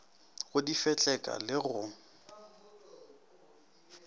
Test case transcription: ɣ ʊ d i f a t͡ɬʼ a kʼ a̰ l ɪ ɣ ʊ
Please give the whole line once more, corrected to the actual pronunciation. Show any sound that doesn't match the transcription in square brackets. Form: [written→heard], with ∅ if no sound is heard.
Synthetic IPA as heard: ɣ ʊ d i f [a→ɛ] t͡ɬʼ [a→ɛ] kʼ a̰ l ɪ ɣ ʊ